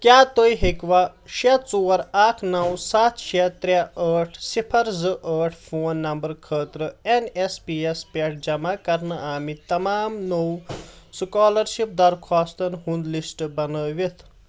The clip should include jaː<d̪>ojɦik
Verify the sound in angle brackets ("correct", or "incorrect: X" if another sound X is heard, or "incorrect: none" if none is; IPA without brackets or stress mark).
incorrect: t̪